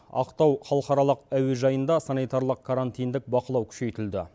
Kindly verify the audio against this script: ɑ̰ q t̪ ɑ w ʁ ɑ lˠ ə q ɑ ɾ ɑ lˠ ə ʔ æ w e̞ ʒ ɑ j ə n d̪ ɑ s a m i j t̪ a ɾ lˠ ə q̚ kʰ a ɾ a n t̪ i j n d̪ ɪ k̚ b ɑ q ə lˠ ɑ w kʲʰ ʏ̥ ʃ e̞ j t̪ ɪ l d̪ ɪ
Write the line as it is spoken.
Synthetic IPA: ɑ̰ q t̪ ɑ w χ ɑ lˠ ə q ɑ ɾ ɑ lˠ ə q æ w e̞ ʒ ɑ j ə n d̪ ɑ s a n i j t̪ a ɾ lˠ ə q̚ kʰ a ɾ a n t̪ i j n d̪ ɪ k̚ b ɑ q ə lˠ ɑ w kʲʰ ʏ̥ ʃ e̞ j t̪ ɪ l d̪ ɪ